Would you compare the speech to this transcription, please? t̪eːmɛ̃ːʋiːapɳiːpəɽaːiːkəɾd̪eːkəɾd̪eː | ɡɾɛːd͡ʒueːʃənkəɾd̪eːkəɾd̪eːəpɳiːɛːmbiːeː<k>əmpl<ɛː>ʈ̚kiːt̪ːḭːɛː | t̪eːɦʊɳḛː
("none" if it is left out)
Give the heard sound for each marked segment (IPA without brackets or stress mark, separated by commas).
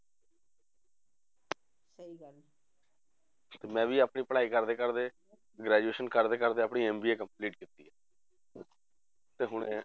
k, iː